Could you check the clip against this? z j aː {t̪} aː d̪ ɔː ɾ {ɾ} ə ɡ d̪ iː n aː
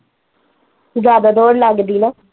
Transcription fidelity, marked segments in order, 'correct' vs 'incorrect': incorrect: d̪, incorrect: l

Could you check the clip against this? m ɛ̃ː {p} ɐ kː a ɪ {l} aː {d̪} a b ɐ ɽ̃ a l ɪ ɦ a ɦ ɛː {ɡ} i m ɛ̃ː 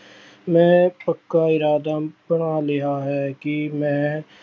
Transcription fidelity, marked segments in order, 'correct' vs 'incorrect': correct, incorrect: ɾ, correct, incorrect: k

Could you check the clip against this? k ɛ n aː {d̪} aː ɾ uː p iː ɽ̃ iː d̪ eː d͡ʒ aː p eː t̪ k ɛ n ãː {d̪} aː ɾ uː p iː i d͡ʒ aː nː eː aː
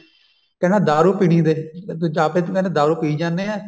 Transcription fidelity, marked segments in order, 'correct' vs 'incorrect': correct, correct

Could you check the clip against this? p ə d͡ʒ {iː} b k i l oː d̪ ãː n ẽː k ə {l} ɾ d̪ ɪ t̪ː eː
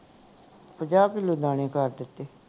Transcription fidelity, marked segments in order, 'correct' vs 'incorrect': incorrect: aː, incorrect: none

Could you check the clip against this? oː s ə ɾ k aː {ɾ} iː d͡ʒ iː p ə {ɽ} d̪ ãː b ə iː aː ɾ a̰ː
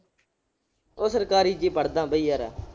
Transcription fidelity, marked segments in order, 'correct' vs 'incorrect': correct, correct

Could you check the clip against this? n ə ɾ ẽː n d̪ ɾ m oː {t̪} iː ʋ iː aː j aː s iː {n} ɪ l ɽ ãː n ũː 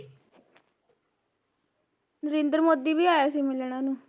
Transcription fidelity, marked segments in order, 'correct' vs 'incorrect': incorrect: d̪, incorrect: m

